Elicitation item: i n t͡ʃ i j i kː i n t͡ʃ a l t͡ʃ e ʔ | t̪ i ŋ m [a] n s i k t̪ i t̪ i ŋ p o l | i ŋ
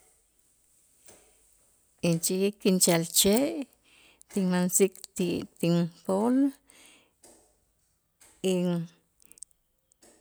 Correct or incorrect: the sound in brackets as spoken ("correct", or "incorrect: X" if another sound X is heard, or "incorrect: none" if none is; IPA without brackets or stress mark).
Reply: correct